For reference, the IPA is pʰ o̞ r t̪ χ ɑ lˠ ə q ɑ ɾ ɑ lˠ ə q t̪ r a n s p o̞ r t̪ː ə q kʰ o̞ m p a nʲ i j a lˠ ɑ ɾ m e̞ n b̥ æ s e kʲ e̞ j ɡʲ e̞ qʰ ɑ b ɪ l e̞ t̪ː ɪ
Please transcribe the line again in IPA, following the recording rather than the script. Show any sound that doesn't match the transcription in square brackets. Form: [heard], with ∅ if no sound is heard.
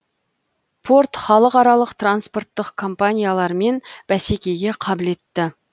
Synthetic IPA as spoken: pʰ o̞ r t̪ χ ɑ lˠ ə q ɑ ɾ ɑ lˠ ə q t̪ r a n s p o̞ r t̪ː ə q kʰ o̞ m p a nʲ i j a lˠ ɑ ɾ m e̞ n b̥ æ s e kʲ e̞ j ɡʲ e̞ qʰ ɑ b ɪ l e̞ t̪ː ɪ

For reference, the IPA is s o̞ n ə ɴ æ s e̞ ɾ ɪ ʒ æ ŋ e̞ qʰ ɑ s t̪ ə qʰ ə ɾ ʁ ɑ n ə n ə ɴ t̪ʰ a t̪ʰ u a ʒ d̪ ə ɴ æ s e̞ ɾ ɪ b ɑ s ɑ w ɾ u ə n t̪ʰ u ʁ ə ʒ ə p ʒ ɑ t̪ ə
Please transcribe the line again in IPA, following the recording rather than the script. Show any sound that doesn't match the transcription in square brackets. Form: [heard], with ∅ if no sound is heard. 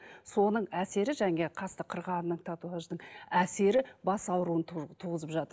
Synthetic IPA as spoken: s o̞ n ə ɴ æ s e̞ ɾ ɪ ʒ æ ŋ e̞ qʰ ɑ s t̪ ə qʰ ə ɾ ʁ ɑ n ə n ə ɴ t̪ʰ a [t̪] u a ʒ d̪ ə ɴ æ s e̞ ɾ ɪ b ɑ s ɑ w ɾ u ə n t̪ʰ u ʁ ə [z] ə p ʒ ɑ t̪ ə

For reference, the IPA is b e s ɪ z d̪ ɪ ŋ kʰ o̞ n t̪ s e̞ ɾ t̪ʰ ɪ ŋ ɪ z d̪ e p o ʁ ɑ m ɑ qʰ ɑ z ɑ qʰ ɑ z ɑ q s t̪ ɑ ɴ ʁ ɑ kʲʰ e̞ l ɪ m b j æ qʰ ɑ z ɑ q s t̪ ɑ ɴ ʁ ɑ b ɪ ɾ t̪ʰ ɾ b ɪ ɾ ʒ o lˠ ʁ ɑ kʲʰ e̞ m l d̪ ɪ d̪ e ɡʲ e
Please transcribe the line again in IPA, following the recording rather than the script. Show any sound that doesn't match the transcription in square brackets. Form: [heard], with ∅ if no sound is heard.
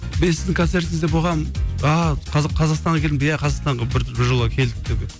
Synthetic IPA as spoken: b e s ɪ z d̪ ɪ ŋ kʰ o̞ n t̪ s e̞ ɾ [t̪] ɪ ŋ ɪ z d̪ e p o ʁ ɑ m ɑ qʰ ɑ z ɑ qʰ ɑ z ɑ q s t̪ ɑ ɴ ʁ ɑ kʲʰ e̞ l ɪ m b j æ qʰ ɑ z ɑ q s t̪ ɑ ɴ ʁ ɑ b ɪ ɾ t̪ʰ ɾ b ɪ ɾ ʒ o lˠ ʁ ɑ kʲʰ e̞ [∅] l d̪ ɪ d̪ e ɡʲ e

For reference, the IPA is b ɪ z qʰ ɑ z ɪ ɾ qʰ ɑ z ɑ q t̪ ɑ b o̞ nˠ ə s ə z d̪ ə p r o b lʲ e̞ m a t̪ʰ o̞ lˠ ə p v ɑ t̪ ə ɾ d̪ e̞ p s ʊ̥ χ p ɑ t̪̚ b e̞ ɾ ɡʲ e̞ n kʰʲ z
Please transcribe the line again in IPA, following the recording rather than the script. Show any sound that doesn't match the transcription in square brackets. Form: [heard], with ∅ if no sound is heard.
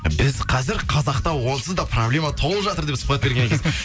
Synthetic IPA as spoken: b ɪ z qʰ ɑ z ɪ ɾ qʰ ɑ z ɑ q t̪ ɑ [w] o̞ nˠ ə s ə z d̪ [ɑ] p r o b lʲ e̞ m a t̪ʰ o̞ lˠ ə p [ʒ] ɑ t̪ ə ɾ d̪ e̞ p s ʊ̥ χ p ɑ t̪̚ b e̞ ɾ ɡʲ e̞ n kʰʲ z

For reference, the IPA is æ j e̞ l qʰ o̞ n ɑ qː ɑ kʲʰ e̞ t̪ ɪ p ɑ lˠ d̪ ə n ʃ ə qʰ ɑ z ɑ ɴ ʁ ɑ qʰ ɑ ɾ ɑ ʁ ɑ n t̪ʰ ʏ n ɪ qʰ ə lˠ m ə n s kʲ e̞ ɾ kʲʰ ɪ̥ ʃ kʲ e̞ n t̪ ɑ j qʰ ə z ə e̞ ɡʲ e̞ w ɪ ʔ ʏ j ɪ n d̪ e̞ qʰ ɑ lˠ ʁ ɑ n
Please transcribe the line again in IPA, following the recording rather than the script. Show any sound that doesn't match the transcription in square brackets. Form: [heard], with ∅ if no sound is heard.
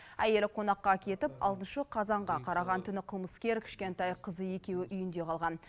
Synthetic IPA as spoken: æ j e̞ l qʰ o̞ n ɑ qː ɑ kʲʰ e̞ t̪ ɪ p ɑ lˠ [t̪] ə n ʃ ə qʰ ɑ z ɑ ɴ ʁ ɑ qʰ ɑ ɾ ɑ ʁ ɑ n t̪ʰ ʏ n ɪ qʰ ə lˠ m ə [∅] s kʲ e̞ ɾ kʲʰ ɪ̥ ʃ kʲ e̞ n t̪ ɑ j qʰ ə z ə e̞ [kʲ] e̞ w ɪ ʔ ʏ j ɪ n d̪ e̞ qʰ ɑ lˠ ʁ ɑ n

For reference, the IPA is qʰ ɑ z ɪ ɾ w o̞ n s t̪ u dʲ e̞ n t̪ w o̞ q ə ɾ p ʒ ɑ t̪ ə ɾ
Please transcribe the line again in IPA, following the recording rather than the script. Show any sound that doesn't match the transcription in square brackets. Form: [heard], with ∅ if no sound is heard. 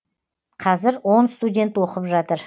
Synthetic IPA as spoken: qʰ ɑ z ɪ ɾ w o̞ n s t̪ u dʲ e̞ n t̪ w o̞ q ə [∅] p ʒ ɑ t̪ ə ɾ

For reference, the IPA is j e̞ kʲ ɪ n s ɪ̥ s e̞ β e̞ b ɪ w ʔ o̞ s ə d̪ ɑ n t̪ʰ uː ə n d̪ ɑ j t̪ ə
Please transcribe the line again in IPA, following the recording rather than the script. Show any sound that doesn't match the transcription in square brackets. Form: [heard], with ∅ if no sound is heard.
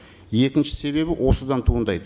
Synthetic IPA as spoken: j e̞ kʲ ɪ n [ʃ] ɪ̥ s e̞ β e̞ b ɪ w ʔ o̞ s ə d̪ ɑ n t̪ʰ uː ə n d̪ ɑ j [d̪] ə

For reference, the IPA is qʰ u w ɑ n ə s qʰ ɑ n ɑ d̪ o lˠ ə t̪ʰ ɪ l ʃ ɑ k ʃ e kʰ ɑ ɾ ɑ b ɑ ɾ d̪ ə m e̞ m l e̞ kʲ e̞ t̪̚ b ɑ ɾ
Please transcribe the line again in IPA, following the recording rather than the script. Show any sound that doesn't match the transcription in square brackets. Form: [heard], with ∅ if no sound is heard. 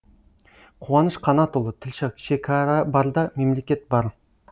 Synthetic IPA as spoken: qʰ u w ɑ n ə [ʃ] qʰ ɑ n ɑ [t̪] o lˠ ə t̪ʰ ɪ l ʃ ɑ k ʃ e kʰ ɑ ɾ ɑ b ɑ ɾ d̪ [ɑ] m e̞ m l e̞ kʲ e̞ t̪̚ b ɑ ɾ

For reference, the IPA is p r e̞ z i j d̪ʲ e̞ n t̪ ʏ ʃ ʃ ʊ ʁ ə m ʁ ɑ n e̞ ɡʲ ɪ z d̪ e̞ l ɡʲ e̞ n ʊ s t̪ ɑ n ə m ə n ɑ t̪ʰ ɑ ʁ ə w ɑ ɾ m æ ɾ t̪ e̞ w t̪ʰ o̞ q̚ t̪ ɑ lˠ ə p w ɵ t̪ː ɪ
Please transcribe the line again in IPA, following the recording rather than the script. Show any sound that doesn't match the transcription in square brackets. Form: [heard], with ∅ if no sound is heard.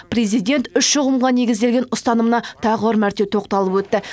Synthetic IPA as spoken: p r e̞ z i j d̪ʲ e̞ n t̪ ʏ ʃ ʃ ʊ ʁ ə m ʁ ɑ n e̞ ɡʲ ɪ z d̪ e̞ l ɡʲ e̞ n ʊ s t̪ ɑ n ə m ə n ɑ t̪ʰ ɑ ʁ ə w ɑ ɾ m æ ɾ t̪ e̞ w t̪ʰ o̞ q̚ t̪ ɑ lˠ ə p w ɵ t̪ː ɪ

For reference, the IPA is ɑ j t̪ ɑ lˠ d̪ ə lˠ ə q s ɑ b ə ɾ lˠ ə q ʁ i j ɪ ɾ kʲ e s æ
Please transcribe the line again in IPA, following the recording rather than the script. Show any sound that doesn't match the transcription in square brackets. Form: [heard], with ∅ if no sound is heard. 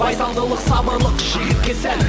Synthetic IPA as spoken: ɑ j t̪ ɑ lˠ d̪ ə lˠ ə q s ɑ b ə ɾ lˠ ə q [ʒ] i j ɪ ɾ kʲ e s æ

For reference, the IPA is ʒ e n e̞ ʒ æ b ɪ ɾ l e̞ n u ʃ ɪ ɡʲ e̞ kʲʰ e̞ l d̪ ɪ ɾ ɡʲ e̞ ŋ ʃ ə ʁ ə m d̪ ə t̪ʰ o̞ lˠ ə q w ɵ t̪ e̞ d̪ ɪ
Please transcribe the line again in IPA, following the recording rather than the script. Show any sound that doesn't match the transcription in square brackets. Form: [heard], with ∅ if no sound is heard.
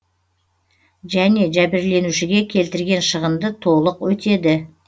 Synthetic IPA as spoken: ʒ [æ] n e̞ ʒ æ b ɪ ɾ l e̞ n u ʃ ɪ ɡʲ e̞ kʲʰ e̞ l [t̪] ɪ ɾ ɡʲ e̞ [n] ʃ ə ʁ ə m d̪ ə t̪ʰ o̞ lˠ ə q w ɵ t̪ e̞ d̪ ɪ

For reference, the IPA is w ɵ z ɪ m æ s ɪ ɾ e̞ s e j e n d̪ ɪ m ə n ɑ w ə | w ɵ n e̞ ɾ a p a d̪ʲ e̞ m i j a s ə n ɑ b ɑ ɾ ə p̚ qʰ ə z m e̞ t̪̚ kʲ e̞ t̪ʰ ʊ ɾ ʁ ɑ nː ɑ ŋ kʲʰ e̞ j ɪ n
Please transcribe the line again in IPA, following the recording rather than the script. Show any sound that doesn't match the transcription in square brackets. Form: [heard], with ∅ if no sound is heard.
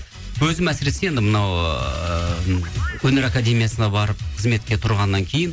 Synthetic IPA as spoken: w ɵ z ɪ m æ s ɪ ɾ e̞ s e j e n d̪ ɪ m ə n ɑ w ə | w ɵ n e̞ ɾ a [k] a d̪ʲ e̞ m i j a s ə n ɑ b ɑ ɾ ə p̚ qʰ ə z m e̞ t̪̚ kʲ e̞ t̪ʰ ʊ ɾ ʁ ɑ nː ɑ ŋ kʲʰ e̞ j ɪ n

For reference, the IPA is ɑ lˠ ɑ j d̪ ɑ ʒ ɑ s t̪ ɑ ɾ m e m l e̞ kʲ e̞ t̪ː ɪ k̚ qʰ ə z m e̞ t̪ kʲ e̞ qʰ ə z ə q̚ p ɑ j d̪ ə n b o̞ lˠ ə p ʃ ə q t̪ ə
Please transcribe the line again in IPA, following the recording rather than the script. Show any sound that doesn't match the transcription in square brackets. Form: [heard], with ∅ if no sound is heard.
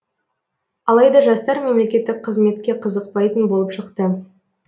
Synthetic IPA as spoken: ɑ lˠ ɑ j d̪ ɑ ʒ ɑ s t̪ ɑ ɾ m e m l e̞ kʲ e̞ t̪ː ɪ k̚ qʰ ə z m e̞ t̪ kʲ e̞ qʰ ə z ə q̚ p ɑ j [t̪] ə n b o̞ lˠ ə p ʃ ə q t̪ ə

